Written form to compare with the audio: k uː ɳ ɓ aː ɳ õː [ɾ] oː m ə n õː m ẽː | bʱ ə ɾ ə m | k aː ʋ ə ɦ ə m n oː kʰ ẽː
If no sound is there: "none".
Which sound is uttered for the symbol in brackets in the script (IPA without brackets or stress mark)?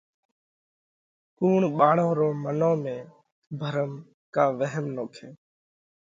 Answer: ɾ